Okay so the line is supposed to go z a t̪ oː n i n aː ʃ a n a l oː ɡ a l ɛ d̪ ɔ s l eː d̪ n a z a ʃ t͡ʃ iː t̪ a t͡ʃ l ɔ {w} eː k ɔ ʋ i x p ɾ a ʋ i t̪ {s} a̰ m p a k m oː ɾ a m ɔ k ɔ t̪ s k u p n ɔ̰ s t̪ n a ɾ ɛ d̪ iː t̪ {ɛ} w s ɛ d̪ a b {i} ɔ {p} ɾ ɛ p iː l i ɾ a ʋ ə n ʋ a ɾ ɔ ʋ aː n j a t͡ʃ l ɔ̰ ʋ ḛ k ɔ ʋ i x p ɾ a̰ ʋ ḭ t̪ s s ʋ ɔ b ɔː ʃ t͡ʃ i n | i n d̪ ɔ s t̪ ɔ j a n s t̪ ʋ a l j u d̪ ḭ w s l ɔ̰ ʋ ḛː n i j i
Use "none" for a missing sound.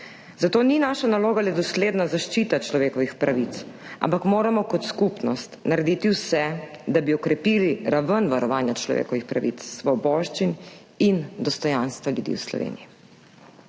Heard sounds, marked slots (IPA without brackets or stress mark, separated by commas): ʋ, s, i, i, k